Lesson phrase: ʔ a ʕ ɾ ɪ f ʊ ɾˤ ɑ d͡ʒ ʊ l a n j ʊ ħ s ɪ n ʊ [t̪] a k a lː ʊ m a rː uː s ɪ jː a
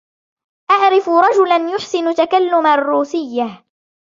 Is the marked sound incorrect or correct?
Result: correct